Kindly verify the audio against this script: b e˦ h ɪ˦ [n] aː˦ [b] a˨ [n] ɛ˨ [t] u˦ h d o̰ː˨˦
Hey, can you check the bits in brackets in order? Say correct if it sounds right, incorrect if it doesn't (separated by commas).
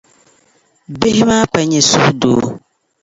incorrect, incorrect, incorrect, incorrect